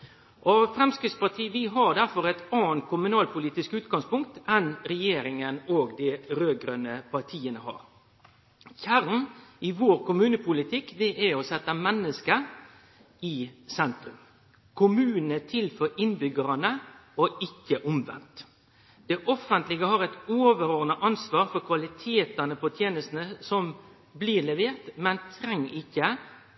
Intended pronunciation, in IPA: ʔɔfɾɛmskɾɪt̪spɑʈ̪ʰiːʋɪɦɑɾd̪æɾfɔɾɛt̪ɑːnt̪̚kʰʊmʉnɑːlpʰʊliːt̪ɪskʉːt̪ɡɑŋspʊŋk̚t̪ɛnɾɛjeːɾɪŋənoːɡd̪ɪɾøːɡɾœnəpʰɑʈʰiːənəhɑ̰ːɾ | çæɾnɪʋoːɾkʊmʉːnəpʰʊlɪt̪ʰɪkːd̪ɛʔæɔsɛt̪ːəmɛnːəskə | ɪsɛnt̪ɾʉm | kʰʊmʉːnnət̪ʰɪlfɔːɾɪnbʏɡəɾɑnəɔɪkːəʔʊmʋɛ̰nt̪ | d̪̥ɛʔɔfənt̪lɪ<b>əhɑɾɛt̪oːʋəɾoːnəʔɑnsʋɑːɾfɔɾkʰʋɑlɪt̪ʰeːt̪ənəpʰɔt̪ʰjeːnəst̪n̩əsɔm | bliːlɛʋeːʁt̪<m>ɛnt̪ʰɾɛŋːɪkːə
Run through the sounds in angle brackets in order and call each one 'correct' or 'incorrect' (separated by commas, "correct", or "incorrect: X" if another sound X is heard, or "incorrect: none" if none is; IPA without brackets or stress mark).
incorrect: ɡ, correct